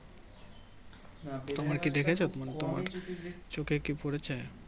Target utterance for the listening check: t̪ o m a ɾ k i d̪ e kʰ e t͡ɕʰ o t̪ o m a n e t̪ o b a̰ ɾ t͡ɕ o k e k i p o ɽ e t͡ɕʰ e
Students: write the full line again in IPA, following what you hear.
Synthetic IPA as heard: t̪ o m a ɾ k i d̪ e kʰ e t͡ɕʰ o t̪ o m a n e t̪ o m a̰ ɾ t͡ɕ o k e k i p o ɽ e t͡ɕʰ e